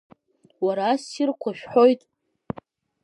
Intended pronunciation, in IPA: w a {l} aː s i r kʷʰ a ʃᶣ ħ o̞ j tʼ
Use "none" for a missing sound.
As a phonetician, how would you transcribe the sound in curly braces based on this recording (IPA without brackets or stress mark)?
ɾ